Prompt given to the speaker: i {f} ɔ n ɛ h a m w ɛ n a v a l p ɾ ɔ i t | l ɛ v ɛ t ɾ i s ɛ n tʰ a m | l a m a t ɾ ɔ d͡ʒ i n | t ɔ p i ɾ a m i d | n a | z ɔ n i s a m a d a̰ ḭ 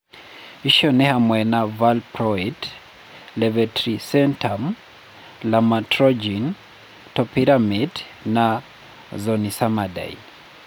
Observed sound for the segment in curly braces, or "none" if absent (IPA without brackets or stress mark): ʃ